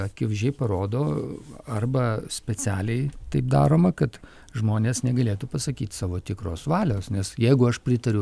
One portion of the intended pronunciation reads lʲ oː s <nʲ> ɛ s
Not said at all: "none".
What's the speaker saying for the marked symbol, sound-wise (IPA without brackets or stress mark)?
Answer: nʲ